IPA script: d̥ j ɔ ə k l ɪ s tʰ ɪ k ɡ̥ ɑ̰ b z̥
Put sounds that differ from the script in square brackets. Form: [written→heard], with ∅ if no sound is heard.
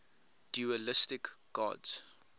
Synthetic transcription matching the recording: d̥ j [ɔ→u] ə [k→∅] l ɪ s [tʰ→t] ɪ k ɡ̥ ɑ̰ [b→d] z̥